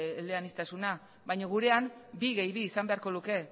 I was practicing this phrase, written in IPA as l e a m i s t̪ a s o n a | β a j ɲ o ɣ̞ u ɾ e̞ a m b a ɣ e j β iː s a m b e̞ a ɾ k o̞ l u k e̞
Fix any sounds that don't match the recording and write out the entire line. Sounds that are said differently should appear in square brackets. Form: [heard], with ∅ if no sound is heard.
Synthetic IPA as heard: l e a [n] i s t̪ a s [u] n a | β a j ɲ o ɣ̞ u ɾ e̞ a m b [i] ɣ e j β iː s a m b e̞ a ɾ k o̞ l u k e̞